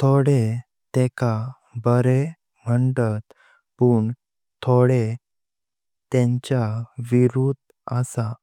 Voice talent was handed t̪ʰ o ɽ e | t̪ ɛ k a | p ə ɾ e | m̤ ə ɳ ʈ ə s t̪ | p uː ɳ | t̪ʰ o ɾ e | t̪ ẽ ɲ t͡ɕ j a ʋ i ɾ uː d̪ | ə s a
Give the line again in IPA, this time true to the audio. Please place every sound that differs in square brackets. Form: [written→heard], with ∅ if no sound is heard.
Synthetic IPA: t̪ʰ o ɽ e | t̪ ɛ k a | [p→b] ə ɾ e | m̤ ə ɳ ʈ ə [s→∅] t̪ | p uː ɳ | t̪ʰ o [ɾ→ɽ] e | t̪ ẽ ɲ t͡ɕ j a ʋ i ɾ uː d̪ | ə s a